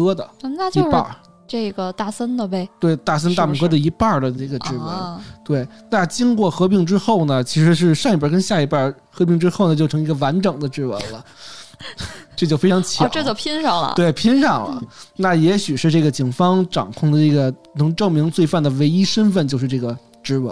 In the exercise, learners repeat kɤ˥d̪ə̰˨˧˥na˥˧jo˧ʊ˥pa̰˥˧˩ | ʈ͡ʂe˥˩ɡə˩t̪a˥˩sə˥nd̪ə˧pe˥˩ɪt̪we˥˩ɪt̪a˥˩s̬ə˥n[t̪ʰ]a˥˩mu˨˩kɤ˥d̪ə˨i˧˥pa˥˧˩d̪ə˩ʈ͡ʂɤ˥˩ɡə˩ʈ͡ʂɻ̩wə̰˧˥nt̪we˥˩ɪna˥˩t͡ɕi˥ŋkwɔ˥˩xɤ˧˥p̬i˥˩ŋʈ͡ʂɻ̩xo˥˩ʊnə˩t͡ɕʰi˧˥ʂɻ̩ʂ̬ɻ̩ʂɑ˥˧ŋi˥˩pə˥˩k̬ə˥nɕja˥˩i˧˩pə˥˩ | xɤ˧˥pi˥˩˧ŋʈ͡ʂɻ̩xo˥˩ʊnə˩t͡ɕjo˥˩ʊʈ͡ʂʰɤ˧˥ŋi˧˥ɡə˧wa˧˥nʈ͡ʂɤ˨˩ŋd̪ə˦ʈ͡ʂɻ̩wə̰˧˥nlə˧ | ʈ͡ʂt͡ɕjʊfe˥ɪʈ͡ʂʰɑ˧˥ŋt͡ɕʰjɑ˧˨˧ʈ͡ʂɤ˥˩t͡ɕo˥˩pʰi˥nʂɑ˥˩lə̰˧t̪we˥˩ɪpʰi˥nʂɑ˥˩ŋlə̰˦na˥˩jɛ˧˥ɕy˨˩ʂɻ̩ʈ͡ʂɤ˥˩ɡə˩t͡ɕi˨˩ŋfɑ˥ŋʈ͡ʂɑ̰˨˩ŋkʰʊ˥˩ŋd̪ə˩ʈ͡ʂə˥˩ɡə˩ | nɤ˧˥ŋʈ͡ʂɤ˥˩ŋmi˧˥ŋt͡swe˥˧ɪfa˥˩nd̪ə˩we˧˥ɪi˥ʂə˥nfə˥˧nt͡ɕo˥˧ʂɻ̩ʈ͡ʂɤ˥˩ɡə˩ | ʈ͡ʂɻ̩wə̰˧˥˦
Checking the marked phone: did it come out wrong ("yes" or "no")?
yes